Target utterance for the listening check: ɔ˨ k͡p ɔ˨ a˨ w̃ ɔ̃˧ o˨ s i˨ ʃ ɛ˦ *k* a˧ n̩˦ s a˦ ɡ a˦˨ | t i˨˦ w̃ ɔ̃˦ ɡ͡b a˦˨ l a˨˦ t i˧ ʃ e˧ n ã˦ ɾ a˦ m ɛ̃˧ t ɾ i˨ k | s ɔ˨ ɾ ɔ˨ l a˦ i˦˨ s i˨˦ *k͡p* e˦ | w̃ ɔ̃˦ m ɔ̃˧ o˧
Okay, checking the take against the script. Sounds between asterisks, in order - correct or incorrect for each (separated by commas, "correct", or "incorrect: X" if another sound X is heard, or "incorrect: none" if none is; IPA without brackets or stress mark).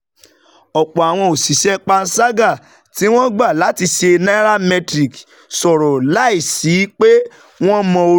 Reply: incorrect: k͡p, correct